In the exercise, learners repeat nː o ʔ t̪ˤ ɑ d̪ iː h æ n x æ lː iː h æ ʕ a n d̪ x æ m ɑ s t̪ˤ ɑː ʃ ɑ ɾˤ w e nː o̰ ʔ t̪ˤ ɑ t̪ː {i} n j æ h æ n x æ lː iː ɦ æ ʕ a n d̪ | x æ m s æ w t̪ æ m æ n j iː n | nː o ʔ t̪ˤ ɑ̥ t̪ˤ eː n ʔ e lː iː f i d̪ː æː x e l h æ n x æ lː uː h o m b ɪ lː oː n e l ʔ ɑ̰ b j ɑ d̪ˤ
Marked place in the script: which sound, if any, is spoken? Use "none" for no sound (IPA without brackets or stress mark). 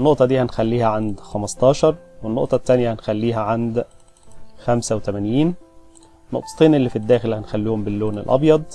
æ